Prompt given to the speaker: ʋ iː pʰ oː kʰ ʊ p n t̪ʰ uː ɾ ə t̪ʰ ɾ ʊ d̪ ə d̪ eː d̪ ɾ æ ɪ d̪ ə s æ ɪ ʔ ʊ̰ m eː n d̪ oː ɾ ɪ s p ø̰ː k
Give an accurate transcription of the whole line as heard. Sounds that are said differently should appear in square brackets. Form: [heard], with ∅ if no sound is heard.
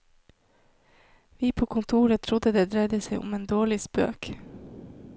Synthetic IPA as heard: ʋ iː pʰ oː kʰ ʊ [∅] n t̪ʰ uː ɾ ə t̪ʰ ɾ ʊ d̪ ə d̪ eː d̪ ɾ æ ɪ d̪ ə s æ ɪ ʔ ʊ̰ m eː n d̪ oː [ɭ] ɪ s p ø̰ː k

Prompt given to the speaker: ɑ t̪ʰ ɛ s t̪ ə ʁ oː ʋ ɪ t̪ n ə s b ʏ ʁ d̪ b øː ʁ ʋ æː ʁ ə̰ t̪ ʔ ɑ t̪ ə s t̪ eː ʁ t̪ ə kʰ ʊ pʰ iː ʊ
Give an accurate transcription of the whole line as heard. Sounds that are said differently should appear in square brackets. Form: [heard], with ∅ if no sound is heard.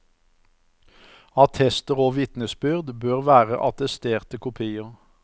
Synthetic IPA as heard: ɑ t̪ʰ ɛ s t̪ ə ʁ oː ʋ ɪ t̪ n ə s b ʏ ʁ d̪ b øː ʁ ʋ æː ʁ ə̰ [∅] ʔ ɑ t̪ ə s t̪ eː ʁ t̪ ə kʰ ʊ pʰ iː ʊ

